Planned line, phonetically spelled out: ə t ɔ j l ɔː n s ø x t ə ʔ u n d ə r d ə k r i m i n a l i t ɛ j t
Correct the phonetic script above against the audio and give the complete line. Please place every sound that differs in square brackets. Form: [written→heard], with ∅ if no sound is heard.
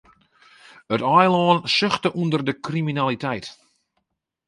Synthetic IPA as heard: ə t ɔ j l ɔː n s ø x t ə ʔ u n d ə r d ə k r i m i n a l i t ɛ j t